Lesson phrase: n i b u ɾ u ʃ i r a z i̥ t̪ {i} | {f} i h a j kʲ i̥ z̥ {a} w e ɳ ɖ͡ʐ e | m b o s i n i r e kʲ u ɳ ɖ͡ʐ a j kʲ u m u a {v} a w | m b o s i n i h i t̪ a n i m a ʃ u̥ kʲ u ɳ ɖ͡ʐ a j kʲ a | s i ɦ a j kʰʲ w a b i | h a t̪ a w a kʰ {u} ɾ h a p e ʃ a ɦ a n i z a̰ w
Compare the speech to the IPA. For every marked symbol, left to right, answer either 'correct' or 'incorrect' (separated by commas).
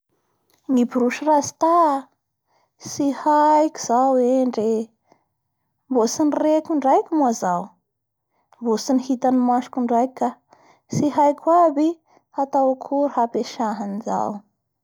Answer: incorrect, incorrect, correct, incorrect, correct